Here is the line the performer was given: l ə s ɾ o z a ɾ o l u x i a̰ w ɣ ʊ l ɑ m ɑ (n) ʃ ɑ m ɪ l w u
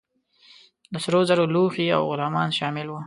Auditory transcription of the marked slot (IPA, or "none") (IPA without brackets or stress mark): n